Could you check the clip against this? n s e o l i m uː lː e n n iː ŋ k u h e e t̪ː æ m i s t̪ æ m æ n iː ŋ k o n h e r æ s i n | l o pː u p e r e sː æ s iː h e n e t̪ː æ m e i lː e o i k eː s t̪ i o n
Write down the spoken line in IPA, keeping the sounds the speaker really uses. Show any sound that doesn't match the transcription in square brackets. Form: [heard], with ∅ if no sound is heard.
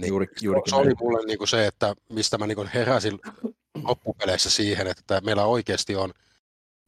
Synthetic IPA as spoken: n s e o l i m [u] lː e n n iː ŋ k u [s] e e t̪ː æ m i s t̪ æ m æ n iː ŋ k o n h e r æ s i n | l o pː u p e [l] e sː æ s iː h e n e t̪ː æ m e i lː [æ] o i k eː s t̪ i o n